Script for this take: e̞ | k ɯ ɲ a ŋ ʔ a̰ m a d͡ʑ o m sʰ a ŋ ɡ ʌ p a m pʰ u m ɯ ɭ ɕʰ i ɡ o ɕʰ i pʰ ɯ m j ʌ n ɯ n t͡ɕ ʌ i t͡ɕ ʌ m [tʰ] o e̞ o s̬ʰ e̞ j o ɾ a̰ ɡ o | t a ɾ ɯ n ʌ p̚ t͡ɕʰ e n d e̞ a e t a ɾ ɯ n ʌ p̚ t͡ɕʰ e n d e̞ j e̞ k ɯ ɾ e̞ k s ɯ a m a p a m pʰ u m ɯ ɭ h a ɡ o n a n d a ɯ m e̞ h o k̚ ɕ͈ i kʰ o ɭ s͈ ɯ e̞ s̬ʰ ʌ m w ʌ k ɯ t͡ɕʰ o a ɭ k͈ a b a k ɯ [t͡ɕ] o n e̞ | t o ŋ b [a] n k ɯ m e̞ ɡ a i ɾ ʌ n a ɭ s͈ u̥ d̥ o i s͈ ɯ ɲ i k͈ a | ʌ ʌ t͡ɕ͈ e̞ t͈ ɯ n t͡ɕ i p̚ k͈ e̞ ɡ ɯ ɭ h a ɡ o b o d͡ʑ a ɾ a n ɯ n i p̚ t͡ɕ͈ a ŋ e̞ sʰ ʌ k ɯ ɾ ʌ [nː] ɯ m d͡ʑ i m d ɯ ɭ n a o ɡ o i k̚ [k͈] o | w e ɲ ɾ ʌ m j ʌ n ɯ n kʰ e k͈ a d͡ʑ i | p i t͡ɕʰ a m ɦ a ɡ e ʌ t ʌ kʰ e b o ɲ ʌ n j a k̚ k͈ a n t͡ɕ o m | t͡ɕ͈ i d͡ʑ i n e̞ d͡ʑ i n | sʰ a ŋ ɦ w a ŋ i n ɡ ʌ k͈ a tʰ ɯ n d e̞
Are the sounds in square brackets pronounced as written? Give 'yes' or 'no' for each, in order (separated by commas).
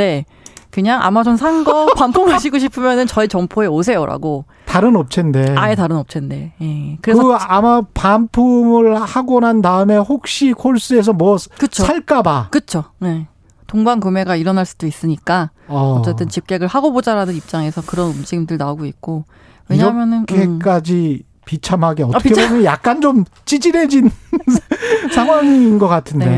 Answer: no, no, yes, no, yes